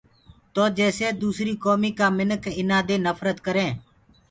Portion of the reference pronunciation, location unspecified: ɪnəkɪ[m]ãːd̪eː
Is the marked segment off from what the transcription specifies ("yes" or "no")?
yes